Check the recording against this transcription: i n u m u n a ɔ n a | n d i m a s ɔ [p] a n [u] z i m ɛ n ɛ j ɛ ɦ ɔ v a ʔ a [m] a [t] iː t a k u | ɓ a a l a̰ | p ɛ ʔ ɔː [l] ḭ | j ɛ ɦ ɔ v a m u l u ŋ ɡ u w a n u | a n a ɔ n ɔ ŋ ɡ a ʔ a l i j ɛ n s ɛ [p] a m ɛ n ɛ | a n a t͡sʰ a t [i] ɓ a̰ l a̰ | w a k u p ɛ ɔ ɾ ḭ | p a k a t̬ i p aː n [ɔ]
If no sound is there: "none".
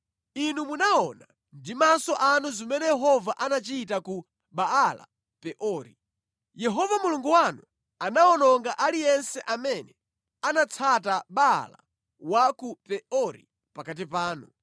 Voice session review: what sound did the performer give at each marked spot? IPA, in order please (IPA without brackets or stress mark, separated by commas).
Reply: ʔ, u, n, t͡ʃ, ɾ, ʔ, a, u